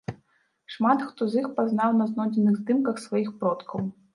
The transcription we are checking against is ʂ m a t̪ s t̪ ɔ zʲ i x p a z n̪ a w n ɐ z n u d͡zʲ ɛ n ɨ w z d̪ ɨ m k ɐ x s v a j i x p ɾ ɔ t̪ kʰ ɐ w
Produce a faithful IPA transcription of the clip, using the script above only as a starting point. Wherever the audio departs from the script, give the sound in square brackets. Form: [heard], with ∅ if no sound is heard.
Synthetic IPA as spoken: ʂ m a t̪ [x] t̪ ɔ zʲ i x p a z n̪ a w n ɐ z n [ɔ] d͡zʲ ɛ n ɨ [ɣ] z d̪ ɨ m k ɐ x s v a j i x p ɾ ɔ t̪ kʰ ɐ w